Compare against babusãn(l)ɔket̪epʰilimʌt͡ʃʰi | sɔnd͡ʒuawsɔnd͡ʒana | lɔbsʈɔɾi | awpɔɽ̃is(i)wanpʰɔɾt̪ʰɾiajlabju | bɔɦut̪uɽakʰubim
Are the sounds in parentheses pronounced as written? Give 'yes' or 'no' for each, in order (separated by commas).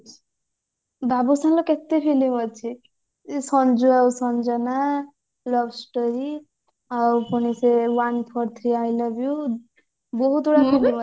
yes, no